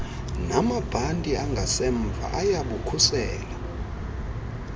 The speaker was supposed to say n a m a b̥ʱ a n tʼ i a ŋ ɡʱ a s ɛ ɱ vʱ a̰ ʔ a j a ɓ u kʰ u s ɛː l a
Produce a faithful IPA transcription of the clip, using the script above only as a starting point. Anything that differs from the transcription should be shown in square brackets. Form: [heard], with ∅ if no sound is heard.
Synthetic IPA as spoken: n a m a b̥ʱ a n tʼ i a ŋ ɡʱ a s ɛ ɱ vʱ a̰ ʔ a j a ɓ u kʰ u s ɛː l a